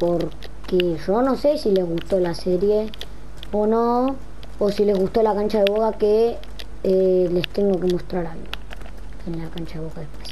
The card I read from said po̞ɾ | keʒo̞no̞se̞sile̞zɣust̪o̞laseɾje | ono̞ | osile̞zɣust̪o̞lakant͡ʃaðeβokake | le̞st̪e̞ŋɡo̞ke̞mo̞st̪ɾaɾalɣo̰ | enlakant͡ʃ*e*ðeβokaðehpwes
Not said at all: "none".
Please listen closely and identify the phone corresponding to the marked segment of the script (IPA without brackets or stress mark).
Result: a